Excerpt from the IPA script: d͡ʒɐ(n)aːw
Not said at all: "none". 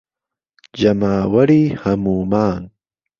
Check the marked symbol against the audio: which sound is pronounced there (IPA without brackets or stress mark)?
m